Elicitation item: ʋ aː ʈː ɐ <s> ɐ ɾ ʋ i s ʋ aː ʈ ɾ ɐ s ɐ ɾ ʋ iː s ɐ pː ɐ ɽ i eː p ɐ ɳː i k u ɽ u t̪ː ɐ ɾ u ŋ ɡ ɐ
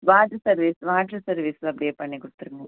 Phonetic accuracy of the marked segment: correct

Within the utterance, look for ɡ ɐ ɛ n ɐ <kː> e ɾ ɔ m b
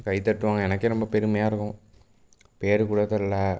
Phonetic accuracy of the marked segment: correct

